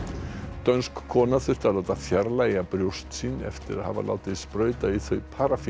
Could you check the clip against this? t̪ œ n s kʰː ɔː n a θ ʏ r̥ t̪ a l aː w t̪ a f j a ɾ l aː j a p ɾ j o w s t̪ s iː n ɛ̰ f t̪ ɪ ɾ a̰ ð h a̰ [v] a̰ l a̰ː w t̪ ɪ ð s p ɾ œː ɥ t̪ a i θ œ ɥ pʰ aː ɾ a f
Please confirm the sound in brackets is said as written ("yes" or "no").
yes